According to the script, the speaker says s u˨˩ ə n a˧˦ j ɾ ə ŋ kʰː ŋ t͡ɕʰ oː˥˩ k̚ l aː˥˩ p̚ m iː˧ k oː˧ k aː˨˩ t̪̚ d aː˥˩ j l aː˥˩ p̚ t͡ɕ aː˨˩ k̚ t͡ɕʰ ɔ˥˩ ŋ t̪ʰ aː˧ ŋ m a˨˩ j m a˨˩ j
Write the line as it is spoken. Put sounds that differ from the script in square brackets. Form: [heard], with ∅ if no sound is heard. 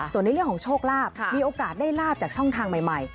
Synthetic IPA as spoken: s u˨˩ ə n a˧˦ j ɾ ə ŋ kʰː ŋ t͡ɕʰ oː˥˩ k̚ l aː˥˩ p̚ m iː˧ [ʔ] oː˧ k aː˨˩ t̪̚ d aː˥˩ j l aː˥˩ p̚ t͡ɕ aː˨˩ k̚ t͡ɕʰ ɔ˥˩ ŋ t̪ʰ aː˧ ŋ m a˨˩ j m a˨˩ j